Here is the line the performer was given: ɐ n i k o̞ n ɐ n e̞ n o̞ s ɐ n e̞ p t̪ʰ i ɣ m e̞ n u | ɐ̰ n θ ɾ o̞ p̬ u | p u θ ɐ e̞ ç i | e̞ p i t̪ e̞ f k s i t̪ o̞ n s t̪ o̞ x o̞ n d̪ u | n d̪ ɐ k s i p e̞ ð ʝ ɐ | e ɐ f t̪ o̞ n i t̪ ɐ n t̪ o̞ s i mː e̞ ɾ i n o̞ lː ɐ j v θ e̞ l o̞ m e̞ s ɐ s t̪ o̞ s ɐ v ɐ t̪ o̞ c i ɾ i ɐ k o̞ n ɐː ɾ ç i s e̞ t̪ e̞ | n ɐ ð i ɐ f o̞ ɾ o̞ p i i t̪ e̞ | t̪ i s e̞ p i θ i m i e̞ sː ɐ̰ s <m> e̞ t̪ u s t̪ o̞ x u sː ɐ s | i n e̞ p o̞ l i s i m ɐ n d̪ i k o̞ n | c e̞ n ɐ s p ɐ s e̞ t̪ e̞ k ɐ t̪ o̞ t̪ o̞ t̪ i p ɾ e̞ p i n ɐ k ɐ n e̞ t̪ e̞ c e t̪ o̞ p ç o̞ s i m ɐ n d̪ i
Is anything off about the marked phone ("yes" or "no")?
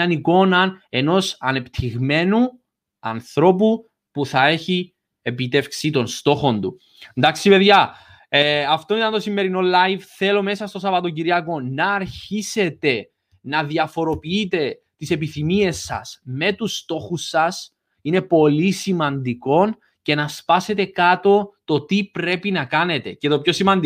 no